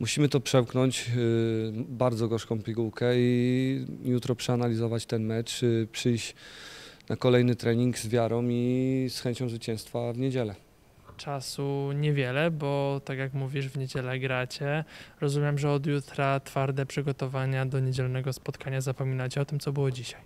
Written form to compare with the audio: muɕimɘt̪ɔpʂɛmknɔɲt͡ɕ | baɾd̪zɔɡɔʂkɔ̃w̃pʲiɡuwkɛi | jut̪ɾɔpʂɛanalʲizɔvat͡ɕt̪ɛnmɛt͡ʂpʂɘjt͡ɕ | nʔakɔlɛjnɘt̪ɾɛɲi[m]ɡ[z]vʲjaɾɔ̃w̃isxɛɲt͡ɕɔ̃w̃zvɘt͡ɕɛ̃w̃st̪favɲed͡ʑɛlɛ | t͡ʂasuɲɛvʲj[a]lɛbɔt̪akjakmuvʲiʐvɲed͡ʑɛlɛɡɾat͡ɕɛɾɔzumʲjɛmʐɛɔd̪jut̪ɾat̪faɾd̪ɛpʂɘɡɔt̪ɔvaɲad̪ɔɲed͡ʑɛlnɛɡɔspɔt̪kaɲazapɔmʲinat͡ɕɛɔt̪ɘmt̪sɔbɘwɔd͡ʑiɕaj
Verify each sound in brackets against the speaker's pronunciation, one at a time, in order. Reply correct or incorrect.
incorrect, correct, incorrect

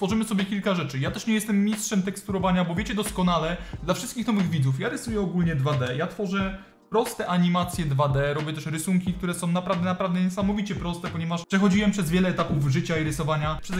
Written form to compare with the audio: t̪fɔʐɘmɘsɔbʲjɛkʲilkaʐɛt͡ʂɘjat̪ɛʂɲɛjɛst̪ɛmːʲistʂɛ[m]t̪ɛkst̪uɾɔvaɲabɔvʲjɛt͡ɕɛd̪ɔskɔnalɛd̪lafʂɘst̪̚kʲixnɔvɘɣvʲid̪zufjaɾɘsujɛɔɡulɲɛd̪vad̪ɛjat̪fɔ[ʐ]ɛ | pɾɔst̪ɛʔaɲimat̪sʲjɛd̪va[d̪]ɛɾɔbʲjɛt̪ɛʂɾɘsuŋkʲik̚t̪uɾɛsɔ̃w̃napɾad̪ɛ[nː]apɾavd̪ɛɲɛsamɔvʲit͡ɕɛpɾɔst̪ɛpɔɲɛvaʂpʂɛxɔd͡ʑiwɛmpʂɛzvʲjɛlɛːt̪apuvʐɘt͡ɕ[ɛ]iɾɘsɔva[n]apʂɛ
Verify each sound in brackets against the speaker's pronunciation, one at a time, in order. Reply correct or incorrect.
correct, correct, correct, incorrect, incorrect, incorrect

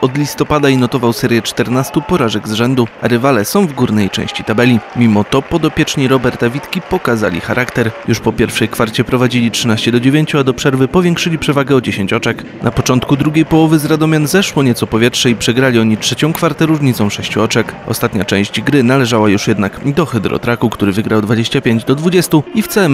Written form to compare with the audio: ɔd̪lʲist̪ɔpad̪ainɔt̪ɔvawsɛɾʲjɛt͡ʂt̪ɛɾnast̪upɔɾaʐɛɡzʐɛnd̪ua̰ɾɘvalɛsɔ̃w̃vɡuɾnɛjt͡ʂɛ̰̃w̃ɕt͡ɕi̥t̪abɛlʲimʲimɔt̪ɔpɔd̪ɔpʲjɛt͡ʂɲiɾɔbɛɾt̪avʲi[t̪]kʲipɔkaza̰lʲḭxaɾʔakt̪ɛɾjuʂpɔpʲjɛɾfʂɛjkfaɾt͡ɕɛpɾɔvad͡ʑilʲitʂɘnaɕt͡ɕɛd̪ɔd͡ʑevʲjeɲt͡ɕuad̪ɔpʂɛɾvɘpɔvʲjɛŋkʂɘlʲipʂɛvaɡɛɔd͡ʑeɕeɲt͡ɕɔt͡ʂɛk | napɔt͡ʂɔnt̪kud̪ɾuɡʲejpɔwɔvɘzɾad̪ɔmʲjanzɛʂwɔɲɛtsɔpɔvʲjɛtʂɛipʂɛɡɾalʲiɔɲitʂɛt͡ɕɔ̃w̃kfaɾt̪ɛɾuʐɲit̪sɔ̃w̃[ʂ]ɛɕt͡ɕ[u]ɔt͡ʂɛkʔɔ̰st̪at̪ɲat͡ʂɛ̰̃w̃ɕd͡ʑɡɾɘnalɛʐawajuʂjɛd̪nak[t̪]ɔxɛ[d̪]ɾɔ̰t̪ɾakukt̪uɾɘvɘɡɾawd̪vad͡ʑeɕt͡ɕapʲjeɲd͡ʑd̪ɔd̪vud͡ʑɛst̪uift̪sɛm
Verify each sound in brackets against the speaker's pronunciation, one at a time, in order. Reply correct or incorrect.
correct, correct, correct, incorrect, correct

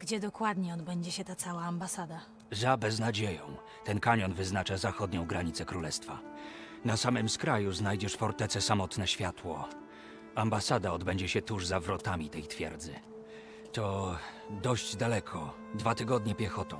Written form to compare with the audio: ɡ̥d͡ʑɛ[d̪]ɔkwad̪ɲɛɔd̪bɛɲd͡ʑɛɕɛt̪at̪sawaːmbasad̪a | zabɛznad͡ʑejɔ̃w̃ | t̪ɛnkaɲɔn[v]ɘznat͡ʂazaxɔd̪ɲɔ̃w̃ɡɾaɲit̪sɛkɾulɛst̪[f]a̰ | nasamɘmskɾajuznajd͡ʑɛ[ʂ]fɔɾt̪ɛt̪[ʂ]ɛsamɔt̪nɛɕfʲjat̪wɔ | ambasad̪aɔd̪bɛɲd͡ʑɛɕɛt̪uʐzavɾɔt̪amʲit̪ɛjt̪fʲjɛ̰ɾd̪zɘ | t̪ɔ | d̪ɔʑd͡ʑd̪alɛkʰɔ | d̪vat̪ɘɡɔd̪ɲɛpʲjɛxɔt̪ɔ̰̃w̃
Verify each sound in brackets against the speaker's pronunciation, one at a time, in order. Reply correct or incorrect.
correct, correct, correct, correct, incorrect

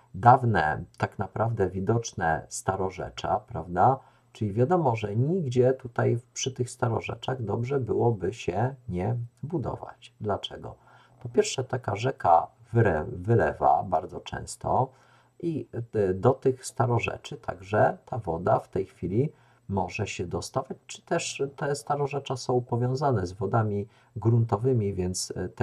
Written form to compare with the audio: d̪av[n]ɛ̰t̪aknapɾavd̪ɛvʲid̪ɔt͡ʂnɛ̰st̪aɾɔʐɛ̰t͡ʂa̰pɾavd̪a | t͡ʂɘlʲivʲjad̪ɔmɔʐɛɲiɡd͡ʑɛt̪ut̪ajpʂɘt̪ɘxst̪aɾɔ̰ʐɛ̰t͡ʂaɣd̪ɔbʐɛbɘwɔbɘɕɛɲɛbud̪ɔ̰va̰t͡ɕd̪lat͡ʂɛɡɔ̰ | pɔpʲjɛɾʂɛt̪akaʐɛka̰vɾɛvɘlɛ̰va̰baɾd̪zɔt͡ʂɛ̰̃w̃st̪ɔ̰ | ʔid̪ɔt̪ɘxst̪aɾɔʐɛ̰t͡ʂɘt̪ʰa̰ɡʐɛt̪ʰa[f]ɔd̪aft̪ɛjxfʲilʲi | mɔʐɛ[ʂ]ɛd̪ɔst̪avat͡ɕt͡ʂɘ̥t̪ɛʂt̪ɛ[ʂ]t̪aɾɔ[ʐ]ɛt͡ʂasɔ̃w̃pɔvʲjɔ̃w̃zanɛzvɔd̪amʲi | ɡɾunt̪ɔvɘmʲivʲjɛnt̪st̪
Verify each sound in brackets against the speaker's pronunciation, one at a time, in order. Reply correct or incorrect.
correct, incorrect, incorrect, incorrect, correct

